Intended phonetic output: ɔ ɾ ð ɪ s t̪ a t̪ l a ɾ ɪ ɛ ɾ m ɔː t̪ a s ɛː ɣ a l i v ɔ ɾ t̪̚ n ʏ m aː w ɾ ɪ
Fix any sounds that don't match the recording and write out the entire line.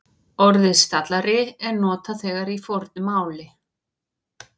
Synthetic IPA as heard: ɔ ɾ ð ɪ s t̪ a t̪ l a ɾ ɪ ɛ ɾ n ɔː t̪ a θ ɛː ɣ a ɾ i f ɔ ɾ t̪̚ n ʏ m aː w l ɪ